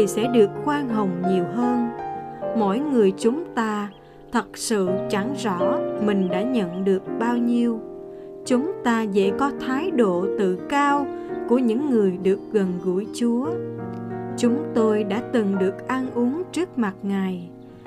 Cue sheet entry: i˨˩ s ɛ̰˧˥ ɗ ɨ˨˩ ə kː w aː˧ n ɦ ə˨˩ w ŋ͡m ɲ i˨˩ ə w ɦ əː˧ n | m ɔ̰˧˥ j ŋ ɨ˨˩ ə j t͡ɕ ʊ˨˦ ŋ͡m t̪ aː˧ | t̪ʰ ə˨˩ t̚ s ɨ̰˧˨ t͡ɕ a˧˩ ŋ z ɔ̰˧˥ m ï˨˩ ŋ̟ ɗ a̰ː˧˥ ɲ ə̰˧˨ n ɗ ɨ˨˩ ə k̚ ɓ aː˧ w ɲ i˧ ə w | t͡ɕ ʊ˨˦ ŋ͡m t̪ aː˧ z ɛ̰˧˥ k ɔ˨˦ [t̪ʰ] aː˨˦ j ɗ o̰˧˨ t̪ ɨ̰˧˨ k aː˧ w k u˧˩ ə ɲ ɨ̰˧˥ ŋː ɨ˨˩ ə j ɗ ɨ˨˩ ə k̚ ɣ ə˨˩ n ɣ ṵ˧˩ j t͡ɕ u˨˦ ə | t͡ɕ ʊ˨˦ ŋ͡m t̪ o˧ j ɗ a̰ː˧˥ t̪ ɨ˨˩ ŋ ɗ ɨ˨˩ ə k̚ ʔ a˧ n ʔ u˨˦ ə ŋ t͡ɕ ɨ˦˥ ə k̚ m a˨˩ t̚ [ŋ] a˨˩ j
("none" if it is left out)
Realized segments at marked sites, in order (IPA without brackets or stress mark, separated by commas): t̪ʰ, ŋ